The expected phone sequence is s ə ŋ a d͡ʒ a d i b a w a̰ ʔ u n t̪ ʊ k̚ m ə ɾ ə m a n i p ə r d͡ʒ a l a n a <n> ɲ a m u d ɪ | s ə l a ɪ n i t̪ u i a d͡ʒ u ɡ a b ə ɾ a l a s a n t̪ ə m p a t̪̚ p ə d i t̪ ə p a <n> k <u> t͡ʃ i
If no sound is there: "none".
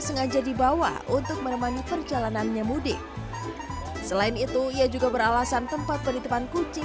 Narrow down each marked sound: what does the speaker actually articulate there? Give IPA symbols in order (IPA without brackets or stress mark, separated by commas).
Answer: n, n, u